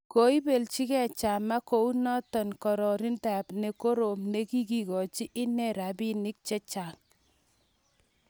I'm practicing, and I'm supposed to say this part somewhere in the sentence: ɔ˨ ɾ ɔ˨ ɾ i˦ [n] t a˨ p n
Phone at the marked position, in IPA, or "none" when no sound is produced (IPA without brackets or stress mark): n